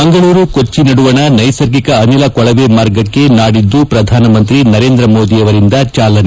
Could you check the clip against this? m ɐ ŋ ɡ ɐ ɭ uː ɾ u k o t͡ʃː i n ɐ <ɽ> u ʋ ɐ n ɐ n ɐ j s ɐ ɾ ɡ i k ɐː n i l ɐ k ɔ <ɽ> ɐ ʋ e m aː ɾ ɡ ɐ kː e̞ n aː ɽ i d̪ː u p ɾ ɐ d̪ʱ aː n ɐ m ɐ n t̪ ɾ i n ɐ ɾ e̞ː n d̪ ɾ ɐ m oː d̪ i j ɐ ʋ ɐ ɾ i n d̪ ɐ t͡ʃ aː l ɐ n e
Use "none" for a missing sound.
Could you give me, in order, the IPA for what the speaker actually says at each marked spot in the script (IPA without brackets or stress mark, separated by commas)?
ɽ, ɭ